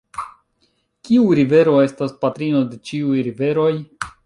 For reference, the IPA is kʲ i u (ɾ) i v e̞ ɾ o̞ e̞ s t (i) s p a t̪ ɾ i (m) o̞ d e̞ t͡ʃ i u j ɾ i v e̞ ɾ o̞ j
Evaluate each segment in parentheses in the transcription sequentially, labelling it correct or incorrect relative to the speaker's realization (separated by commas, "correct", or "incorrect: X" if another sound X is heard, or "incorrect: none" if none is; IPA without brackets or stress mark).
correct, incorrect: a, incorrect: n